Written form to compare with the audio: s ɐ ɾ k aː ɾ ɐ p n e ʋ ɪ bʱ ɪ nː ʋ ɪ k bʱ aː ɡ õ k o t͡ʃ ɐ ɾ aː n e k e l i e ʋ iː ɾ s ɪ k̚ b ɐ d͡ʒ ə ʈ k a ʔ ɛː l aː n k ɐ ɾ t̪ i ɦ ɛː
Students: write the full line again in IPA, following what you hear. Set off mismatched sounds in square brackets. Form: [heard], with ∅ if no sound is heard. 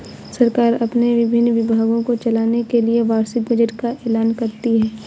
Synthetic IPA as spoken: s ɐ ɾ k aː ɾ ɐ p n e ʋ ɪ bʱ ɪ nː ʋ ɪ [∅] bʱ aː ɡ õ k o t͡ʃ ɐ [l] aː n e k e l i e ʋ [aː] ɾ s ɪ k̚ b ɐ d͡ʒ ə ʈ k a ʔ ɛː l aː n k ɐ ɾ t̪ i ɦ ɛː